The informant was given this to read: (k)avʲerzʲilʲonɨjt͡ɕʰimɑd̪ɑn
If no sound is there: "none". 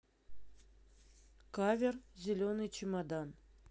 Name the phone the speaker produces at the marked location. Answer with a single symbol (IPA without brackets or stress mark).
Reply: k